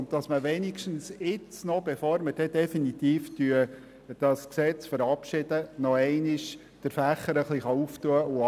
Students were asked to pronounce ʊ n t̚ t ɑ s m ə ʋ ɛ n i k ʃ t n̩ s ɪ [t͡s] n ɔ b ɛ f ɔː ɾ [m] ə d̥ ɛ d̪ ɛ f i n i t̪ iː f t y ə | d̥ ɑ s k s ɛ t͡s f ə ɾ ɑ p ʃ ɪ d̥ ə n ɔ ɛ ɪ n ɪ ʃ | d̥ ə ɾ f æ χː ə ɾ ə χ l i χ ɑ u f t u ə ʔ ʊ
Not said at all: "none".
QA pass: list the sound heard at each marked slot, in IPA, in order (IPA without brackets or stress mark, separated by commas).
t͡s, m